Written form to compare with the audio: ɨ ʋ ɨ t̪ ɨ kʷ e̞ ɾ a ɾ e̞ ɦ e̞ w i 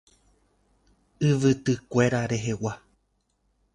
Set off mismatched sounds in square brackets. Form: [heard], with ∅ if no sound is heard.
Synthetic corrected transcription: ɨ ʋ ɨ t̪ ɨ kʷ e̞ ɾ a ɾ e̞ ɦ e̞ w [a]